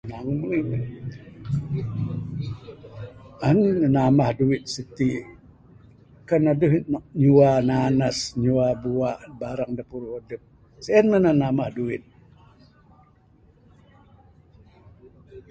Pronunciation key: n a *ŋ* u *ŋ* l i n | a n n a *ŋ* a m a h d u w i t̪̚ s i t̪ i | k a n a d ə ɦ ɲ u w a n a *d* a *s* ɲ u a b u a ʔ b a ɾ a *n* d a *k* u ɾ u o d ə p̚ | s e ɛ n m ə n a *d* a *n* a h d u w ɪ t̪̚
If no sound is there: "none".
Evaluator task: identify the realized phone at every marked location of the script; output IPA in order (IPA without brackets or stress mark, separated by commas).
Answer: ŋ, m, n, n, s, ŋ, p, n, m